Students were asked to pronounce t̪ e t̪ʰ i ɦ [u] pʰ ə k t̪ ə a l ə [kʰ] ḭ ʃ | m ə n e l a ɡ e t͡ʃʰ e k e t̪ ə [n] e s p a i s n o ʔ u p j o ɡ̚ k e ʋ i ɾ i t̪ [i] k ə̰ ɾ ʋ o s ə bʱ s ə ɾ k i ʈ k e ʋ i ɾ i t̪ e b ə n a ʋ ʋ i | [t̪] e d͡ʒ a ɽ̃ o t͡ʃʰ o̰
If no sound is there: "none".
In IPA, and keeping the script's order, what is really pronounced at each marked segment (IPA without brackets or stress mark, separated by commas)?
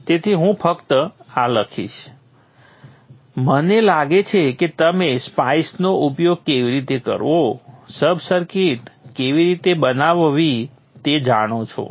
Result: ũ, kʰ, m, e, t̪